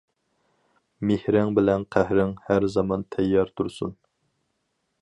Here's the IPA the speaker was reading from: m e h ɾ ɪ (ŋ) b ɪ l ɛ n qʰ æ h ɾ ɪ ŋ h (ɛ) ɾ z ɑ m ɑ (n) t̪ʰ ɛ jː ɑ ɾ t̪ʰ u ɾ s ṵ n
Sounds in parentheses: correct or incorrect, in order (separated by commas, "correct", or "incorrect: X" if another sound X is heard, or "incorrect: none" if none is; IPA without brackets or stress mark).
correct, incorrect: æ, correct